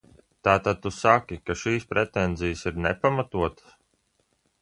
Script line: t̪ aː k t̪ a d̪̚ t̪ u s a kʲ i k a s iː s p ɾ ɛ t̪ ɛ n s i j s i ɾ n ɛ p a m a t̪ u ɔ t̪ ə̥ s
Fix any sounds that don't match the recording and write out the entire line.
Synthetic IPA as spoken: t̪ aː t̪ a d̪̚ t̪ u s a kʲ i k a ʃ iː s p ɾ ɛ t̪ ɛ n z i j s i ɾ n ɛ p a m a t̪ u ɔ t̪ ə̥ s

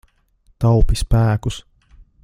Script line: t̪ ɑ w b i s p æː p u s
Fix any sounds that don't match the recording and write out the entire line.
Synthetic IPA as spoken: t̪ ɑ w p i s p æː k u s

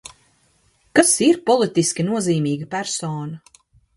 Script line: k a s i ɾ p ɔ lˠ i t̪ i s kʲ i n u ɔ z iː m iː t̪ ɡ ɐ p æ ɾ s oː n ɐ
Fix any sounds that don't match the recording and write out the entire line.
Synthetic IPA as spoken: k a s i ɾ p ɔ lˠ i t̪ i s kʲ i n u ɔ z iː m iː ɡ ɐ p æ ɾ s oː n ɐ

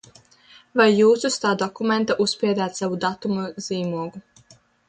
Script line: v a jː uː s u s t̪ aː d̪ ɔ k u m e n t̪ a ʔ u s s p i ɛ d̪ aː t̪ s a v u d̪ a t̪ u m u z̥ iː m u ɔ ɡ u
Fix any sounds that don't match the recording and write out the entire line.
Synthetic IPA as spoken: v a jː uː s u s t̪ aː d̪ ɔ k u m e n t̪ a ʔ u s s p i ɛ d̪ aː t̪ s a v u d̪ a t̪ u m u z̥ iː m u ɔ ɡ u

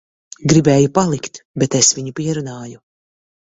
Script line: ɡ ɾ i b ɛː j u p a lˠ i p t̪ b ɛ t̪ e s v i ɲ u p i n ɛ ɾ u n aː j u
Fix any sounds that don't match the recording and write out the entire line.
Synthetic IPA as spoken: ɡ ɾ i b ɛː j u p a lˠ i k t̪ b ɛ t̪ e s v i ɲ u p i ɛ ɾ u n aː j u

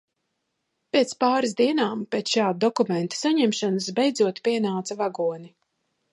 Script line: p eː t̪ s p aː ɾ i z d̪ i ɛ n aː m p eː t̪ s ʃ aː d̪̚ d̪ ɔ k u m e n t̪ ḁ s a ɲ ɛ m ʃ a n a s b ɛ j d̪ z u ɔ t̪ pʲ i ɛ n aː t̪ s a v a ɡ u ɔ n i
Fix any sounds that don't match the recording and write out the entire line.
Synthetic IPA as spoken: p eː t̪ s p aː ɾ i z d̪ i ɛ n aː m p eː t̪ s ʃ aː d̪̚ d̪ ɔ k u m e n t̪ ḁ s a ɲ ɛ m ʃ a n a s b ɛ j d̪ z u ɔ t̪ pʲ i ɛ n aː t̪ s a v a ɡ u ɔ n i

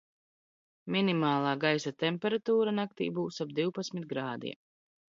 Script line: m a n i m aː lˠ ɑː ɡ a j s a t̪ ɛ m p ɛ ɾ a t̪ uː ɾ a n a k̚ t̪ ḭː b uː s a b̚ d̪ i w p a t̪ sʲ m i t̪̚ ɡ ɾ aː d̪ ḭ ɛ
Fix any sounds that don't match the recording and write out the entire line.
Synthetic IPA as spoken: m i n i m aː lˠ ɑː ɡ a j s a t̪ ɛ m p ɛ ɾ a t̪ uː ɾ a n a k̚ t̪ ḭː b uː s a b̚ d̪ i w p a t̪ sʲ m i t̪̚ ɡ ɾ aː d̪ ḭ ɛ

